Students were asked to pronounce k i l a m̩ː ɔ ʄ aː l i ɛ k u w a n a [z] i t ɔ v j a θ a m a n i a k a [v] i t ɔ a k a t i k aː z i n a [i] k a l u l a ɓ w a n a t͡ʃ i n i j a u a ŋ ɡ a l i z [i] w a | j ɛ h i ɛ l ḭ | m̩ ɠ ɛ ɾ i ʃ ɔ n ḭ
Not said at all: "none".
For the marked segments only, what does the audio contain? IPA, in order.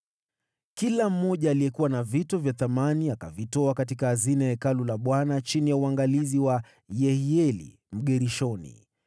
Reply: v, v, ɛ, i

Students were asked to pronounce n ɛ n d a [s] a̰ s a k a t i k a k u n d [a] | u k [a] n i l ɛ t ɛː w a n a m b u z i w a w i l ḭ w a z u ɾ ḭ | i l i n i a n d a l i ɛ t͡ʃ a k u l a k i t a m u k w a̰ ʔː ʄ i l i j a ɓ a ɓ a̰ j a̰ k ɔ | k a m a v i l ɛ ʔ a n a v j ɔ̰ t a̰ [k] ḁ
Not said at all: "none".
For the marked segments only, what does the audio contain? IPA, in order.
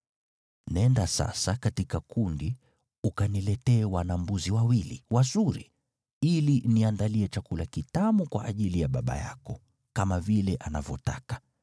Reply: s, i, a, k

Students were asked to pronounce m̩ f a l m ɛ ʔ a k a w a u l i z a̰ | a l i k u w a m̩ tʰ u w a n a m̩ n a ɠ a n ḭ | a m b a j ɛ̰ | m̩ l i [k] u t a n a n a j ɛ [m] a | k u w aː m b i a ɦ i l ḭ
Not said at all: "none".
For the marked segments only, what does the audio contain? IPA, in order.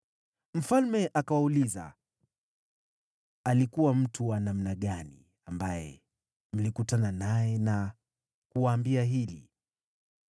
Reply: k, n

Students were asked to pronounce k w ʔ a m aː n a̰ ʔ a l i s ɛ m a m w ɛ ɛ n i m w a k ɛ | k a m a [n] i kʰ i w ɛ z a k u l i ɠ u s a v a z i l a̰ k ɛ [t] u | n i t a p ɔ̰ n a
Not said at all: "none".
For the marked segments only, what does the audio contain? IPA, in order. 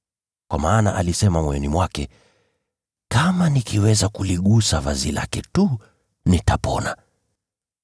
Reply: n, t

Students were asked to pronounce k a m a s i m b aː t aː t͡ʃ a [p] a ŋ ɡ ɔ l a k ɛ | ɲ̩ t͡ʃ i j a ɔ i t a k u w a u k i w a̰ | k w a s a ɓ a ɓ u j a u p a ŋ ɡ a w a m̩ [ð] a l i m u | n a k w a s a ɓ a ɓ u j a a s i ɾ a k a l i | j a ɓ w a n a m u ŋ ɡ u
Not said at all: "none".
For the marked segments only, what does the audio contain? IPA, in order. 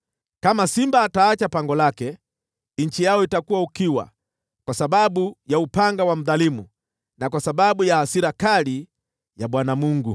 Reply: p, ð

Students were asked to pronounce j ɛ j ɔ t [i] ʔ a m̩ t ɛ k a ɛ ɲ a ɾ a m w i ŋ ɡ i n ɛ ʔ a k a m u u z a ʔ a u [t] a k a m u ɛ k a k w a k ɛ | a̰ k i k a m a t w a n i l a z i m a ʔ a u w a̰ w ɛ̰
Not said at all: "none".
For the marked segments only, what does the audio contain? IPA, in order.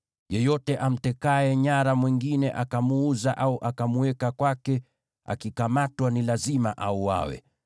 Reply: ɛ, ʔ

